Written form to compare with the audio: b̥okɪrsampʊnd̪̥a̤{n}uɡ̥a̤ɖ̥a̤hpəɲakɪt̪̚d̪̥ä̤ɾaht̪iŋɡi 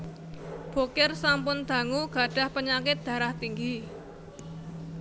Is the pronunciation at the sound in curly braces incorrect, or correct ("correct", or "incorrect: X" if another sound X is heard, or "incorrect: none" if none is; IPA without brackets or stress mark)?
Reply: incorrect: ŋ